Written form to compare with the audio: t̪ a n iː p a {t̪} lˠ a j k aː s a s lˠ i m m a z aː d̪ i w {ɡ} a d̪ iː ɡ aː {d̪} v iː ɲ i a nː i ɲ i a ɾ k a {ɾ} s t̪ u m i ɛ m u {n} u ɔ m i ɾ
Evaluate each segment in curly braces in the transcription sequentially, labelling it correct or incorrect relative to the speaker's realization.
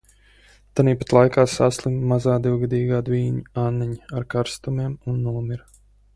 correct, correct, correct, correct, incorrect: nː

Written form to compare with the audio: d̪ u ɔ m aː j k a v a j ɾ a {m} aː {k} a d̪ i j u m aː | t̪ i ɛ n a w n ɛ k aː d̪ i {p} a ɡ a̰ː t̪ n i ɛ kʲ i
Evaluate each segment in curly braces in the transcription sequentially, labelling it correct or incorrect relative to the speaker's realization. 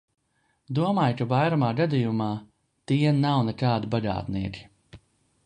correct, incorrect: ɡ, incorrect: b

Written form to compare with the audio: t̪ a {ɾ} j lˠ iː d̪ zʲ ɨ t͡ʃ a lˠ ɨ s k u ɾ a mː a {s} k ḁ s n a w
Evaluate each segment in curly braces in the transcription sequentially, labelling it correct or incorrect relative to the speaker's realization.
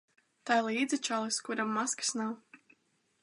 incorrect: none, correct

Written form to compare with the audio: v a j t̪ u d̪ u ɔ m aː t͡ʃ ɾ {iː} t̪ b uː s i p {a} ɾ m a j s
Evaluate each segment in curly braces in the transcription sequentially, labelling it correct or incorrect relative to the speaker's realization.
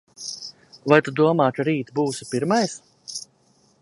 correct, incorrect: i

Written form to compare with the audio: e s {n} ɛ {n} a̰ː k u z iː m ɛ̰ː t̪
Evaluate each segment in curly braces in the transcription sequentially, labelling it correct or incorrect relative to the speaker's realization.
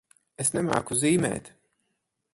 correct, incorrect: m

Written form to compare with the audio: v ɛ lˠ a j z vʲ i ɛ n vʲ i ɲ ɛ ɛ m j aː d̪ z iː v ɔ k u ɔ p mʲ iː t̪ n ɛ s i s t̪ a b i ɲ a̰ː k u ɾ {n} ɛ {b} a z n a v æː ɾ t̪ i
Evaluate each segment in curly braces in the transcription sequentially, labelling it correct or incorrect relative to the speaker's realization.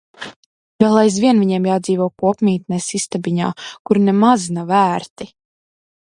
correct, incorrect: m

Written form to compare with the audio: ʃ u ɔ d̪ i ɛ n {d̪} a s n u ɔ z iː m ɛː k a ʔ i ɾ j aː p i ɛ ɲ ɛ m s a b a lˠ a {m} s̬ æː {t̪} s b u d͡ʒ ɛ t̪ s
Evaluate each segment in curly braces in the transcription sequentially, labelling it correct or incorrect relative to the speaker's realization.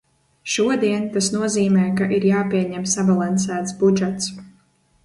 incorrect: t̪, incorrect: n, correct

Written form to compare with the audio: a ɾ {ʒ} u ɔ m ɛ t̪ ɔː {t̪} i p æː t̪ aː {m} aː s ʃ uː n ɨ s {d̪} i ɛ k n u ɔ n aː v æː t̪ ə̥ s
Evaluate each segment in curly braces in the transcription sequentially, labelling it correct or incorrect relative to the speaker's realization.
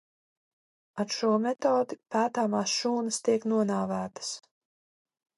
incorrect: ʃ, incorrect: d̪, correct, incorrect: t̪

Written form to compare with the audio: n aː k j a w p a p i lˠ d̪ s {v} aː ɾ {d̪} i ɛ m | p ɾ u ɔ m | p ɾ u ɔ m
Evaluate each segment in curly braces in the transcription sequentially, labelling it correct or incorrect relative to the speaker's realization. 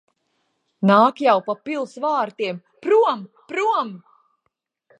correct, incorrect: t̪

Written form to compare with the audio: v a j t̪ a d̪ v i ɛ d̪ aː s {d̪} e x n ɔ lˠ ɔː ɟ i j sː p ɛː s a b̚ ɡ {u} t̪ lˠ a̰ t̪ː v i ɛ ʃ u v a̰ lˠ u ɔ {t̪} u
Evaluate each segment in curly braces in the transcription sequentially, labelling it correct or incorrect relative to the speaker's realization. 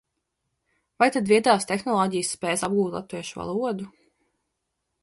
incorrect: t̪, incorrect: uː, incorrect: d̪

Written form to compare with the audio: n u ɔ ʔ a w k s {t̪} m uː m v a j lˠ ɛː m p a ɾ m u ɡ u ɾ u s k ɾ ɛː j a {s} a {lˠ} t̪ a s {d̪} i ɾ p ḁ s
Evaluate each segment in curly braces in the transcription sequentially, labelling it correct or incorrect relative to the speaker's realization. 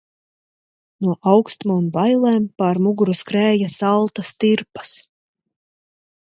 correct, correct, correct, incorrect: t̪

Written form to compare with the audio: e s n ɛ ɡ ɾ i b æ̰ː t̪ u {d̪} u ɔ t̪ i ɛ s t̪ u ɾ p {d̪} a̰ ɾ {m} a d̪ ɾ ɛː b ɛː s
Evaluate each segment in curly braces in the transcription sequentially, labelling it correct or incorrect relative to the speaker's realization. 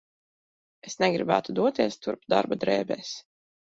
correct, correct, incorrect: b

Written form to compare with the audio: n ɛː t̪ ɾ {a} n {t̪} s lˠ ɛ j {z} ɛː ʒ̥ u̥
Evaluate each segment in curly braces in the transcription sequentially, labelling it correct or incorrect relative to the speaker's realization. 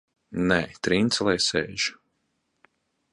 incorrect: i, correct, incorrect: s

